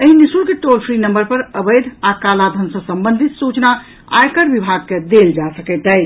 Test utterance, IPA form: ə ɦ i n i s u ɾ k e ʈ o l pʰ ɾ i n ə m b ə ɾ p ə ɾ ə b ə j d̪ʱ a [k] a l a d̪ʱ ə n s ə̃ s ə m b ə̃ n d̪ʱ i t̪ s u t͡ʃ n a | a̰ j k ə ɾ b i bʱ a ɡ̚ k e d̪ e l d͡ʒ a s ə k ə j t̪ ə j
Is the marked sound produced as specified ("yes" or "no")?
yes